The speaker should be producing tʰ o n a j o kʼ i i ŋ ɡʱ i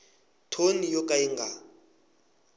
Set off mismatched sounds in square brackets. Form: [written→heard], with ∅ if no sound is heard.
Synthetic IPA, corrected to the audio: tʰ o n [a→i] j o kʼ [i→a] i ŋ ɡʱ [i→a]